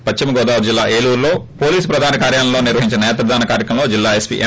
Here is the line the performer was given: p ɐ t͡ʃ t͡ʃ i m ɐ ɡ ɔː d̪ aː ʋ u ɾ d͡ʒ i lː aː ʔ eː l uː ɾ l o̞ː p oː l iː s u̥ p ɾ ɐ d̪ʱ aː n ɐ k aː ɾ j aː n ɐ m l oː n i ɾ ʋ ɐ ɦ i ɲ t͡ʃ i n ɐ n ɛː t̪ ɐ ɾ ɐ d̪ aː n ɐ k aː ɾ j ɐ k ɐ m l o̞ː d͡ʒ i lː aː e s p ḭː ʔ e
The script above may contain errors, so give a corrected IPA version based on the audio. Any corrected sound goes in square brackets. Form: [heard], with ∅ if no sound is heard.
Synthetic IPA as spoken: p ɐ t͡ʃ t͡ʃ i m ɐ ɡ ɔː d̪ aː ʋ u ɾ d͡ʒ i lː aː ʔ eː l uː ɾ l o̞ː p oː l iː s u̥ p ɾ ɐ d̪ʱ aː n ɐ k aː ɾ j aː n ɐ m l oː n i ɾ ʋ ɐ ɦ i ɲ t͡ʃ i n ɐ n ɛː t̪ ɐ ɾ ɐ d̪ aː n ɐ k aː ɾ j ɐ k ɐ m l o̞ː d͡ʒ i lː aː e s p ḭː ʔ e